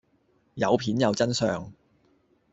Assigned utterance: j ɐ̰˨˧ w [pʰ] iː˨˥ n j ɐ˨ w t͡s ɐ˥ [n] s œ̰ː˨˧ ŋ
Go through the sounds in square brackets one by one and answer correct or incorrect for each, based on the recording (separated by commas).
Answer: correct, correct